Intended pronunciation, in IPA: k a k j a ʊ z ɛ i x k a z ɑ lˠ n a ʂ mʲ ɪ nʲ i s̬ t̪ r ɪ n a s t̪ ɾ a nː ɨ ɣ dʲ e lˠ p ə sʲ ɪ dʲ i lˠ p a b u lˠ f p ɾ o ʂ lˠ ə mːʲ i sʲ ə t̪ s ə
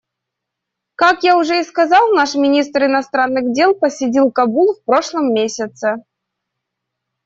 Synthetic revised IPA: k a k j a ʊ ʐ ɛ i s k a z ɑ lˠ n a ʂ mʲ ɪ nʲ i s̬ t̪ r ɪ n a s t̪ ɾ a nː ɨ ɣ dʲ e lˠ p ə sʲ ɪ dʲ i lˠ k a b u lˠ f p ɾ o ʂ lˠ ə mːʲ e sʲ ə t̪ s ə

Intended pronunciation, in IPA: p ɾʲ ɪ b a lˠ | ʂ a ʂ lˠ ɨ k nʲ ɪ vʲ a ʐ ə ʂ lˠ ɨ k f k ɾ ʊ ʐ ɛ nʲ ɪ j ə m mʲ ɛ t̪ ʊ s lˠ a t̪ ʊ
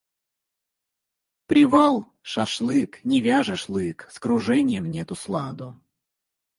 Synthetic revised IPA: p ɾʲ ɪ v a lˠ | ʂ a ʂ lˠ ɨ k nʲ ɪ vʲ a ʐ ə ʂ lˠ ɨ k s k ɾ ʊ ʐ ɛ nʲ ɪ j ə m nʲ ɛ t̪ ʊ s lˠ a d̪ ʊ

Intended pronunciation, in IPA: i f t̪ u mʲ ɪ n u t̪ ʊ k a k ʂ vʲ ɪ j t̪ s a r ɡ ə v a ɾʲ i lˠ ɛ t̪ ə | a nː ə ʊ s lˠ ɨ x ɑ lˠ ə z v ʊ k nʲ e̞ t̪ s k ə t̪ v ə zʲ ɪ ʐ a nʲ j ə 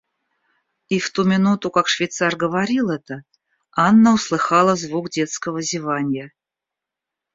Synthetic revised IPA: i f t̪ u mʲ ɪ n u t̪ ʊ k a k ʂ vʲ ɪ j t̪ s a r ɡ ə v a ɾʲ i lˠ ɛ t̪ ə | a nː ə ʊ s lˠ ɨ x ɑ lˠ ə z v u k dʲ e̞ t̪ s k ə v ə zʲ ɪ v a nʲ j ə

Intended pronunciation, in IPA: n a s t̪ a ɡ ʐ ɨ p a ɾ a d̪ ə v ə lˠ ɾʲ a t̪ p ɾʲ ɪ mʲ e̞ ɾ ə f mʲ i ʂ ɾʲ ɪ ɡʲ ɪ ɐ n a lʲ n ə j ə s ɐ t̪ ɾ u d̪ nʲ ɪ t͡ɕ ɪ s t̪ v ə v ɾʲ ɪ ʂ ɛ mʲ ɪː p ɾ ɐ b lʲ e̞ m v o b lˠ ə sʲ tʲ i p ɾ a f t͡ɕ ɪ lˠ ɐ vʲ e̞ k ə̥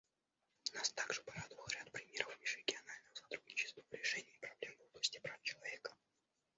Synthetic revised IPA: n a s t̪ a ɡ ʐ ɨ p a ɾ a d̪ ə v ə lˠ ɾʲ a t̪ p ɾʲ ɪ mʲ e̞ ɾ ə f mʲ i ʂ ɾʲ ɪ ɡʲ ɪ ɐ n a lʲ n ə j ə s ɐ t̪ ɾ u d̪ nʲ ɪ t͡ɕ ɪ s t̪ v ə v ɾʲ ɪ ʂ ɛ nʲ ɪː p ɾ ɐ b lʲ e̞ m v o b lˠ ə sʲ tʲ ɪ p ɾ a f t͡ɕ ɪ lˠ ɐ vʲ e̞ k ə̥

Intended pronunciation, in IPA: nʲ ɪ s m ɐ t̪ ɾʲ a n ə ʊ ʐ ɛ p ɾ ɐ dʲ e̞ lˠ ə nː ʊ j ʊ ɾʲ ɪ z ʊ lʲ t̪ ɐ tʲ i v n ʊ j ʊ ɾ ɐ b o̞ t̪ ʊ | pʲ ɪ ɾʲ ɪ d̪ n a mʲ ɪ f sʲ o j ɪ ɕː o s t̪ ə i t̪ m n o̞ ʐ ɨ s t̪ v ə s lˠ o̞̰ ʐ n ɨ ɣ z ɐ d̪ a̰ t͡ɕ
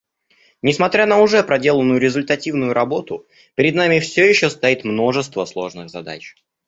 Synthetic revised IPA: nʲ ɪ s m ɐ t̪ ɾʲ a n ə ʊ ʐ ɛ p ɾ ɐ dʲ e̞ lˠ ə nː ʊ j ʊ ɾʲ ɪ z ʊ lʲ t̪ ɐ tʲ i v n ʊ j ʊ ɾ ɐ b o̞ t̪ ʊ | pʲ ɪ ɾʲ ɪ d̪ n a mʲ ɪ f sʲ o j ɪ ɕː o s t̪ ɐ i t̪ m n o̞ ʐ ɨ s t̪ v ə s lˠ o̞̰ ʐ n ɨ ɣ z ɐ d̪ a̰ t͡ɕ

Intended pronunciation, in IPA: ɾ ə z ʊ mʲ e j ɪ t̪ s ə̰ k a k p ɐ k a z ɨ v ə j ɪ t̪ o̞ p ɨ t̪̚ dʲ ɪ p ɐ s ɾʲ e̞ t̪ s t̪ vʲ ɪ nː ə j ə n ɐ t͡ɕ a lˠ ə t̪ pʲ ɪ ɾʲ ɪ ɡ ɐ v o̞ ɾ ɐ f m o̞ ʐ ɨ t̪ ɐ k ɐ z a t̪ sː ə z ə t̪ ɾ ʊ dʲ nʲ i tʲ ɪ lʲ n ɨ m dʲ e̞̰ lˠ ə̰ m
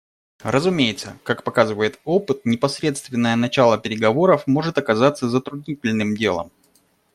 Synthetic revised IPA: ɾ ə z ʊ mʲ e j ɪ t̪ s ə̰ k a k p ɐ k a z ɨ v ə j ɪ t̪ o̞ p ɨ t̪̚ nʲ ɪ p ɐ s ɾʲ e̞ t̪ s t̪ vʲ ɪ nː ə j ə n ɐ t͡ɕ a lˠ ə pʲ ɪ ɾʲ ɪ ɡ ɐ v o̞ ɾ ə f m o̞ ʐ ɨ t̪ ɐ k ɐ z a t̪ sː ə z ə t̪ ɾ ʊ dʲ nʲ i tʲ ɪ lʲ n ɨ m dʲ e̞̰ lˠ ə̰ m

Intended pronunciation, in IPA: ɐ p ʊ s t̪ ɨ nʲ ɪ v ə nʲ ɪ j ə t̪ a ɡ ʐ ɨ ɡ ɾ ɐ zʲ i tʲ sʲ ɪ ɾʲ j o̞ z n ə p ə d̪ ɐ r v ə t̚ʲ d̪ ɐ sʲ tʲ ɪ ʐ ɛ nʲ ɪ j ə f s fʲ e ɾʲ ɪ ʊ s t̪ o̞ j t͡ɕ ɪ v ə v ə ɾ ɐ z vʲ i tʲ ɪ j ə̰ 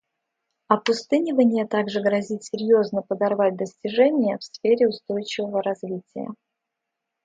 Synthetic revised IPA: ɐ p ʊ s t̪ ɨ nʲ ɪ v ə nʲ ɪ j ə t̪ a ɡ ʐ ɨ ɡ ɾ ɐ zʲ i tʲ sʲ ɪ ɾʲ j o̞ z n ə p ə d̪ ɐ r v a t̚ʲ d̪ ə sʲ tʲ ɪ ʐ ɛ nʲ ɪ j ə f s fʲ e ɾʲ ɪ ʊ s t̪ o̞ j t͡ɕ ɪ v ə v ə ɾ ɐ z vʲ i tʲ ɪ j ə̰

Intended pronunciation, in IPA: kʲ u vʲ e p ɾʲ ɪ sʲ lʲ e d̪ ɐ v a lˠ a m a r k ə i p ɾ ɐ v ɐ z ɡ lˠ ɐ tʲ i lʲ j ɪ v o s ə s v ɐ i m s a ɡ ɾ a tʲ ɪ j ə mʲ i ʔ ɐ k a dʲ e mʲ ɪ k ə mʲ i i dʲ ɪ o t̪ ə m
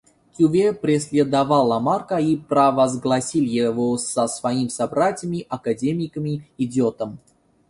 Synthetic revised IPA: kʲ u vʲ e p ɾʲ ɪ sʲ lʲ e d̪ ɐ v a lˠ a m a r k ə i p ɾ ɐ v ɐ z ɡ lˠ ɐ sʲ i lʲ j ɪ v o s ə s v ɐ i m s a b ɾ a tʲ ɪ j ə mʲ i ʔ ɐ k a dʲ e mʲ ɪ k ə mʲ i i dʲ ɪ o t̪ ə m

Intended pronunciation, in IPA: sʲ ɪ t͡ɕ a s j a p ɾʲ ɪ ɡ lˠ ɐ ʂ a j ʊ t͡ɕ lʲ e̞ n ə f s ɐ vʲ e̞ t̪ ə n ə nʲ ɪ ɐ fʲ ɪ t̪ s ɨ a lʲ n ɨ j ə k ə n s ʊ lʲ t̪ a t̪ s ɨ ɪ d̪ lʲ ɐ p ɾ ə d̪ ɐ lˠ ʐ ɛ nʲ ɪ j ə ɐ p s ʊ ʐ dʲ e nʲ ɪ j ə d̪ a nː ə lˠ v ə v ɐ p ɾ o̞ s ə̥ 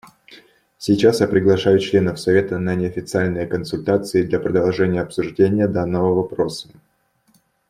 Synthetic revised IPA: sʲ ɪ t͡ɕ a s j a p ɾʲ ɪ ɡ lˠ ɐ ʂ a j ʊ t͡ɕ lʲ e̞ n ə f s ɐ vʲ e̞ t̪ ə n ə nʲ ɪ ɐ fʲ ɪ t̪ s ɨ a lʲ n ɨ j ə k ə n s ʊ lʲ t̪ a t̪ s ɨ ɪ d̪ lʲ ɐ p ɾ ə d̪ ɐ lˠ ʐ ɛ nʲ ɪ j ə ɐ p s ʊ ʐ dʲ e nʲ ɪ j ə d̪ a nː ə v ə v ɐ p ɾ o̞ s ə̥

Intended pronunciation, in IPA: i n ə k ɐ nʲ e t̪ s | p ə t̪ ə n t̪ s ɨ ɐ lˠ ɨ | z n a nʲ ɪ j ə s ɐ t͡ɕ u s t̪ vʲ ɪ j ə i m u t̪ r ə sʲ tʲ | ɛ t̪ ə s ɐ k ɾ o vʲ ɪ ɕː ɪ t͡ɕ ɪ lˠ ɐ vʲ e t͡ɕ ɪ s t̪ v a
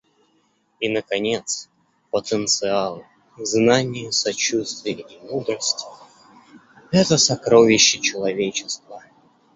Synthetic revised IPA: i n ə k ɐ nʲ e t̪ s | p ə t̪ ə n t̪ s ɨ a lˠ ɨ | z n a nʲ ɪ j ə s ɐ t͡ɕ u s t̪ vʲ ɪ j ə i m u d̪ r ə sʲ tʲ | ɛ t̪ ə s ɐ k ɾ o vʲ ɪ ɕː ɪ t͡ɕ ɪ lˠ ɐ vʲ e t͡ɕ ɪ s t̪ v ə

